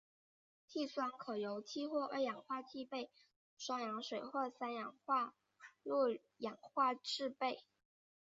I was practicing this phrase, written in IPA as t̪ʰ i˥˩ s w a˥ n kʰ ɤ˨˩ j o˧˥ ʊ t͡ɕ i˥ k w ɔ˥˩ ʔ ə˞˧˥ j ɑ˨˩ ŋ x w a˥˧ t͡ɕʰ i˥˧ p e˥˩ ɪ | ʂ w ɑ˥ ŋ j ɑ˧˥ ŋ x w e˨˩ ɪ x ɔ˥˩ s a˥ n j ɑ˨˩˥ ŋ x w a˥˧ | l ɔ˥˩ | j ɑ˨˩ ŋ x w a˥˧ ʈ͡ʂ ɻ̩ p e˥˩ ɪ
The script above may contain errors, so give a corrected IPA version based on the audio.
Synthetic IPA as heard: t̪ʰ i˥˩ s w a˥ n kʰ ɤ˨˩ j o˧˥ ʊ t͡ɕʰ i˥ x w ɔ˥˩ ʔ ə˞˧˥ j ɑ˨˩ ŋ x w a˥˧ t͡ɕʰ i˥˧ p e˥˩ ɪ | ʂ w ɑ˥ ŋ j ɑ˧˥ ŋ ʂ w e˨˩ ɪ x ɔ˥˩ s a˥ n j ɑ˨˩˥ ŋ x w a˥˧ | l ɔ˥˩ | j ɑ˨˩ ŋ x w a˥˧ ʈ͡ʂ ɻ̩ p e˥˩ ɪ